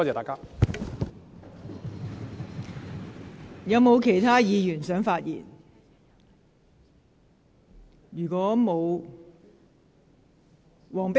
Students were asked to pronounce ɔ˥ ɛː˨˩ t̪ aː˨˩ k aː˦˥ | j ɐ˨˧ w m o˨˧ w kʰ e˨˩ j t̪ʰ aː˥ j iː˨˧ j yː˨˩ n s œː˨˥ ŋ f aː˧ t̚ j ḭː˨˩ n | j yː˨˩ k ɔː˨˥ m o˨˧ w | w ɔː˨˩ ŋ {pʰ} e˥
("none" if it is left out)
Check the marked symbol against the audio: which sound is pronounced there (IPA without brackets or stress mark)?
p